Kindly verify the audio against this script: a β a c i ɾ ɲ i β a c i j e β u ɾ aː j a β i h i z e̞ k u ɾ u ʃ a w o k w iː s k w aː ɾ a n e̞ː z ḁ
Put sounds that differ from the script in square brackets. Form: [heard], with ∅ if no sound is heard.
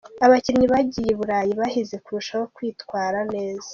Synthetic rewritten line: a β a c i ɾ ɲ i β a [ɟ] i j e β u ɾ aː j [i] β [a] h i z e̞ k u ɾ u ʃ a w o k w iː [t] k w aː ɾ a n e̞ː z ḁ